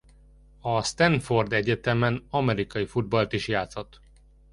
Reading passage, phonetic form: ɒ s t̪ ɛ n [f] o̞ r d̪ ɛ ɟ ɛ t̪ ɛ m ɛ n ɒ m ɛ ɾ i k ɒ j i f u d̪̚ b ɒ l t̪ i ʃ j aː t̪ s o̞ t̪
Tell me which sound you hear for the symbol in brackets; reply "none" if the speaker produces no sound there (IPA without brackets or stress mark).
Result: f